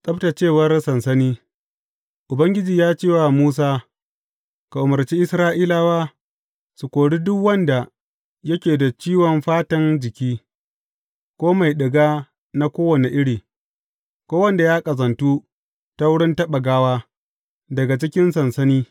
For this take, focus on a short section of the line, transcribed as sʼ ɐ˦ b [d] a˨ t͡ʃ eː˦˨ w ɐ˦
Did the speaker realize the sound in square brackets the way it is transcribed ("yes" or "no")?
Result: no